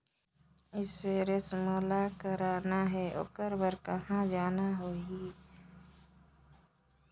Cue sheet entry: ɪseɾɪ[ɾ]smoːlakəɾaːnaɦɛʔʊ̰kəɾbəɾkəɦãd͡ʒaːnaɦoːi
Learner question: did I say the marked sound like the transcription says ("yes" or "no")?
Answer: no